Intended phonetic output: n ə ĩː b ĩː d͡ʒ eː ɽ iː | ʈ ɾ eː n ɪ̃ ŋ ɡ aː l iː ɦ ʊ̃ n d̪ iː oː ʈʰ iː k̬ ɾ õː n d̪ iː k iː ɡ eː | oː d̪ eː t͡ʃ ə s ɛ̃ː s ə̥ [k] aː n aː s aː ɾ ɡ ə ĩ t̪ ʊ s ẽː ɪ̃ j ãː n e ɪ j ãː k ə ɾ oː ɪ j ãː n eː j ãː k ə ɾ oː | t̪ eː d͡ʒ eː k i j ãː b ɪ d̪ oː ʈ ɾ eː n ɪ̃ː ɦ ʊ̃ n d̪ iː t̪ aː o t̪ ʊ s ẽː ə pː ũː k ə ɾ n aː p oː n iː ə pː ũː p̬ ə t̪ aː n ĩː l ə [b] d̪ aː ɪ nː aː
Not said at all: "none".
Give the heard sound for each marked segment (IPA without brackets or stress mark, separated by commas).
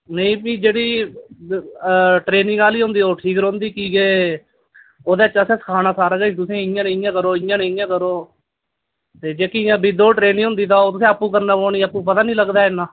kʰ, ɡ